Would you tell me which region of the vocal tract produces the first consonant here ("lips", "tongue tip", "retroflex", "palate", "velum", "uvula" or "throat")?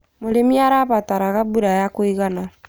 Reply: lips